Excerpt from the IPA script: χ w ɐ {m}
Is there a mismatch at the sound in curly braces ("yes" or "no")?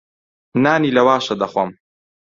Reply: no